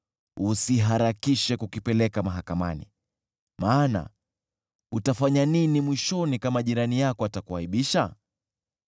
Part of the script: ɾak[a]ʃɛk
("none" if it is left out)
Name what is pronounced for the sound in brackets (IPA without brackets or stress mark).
i